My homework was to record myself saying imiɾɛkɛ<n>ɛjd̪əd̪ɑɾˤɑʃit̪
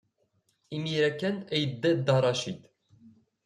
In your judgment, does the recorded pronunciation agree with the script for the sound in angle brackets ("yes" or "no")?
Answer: yes